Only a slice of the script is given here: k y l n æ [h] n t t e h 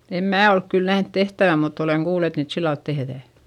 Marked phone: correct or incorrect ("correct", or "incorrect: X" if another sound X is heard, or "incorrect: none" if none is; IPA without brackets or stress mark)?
correct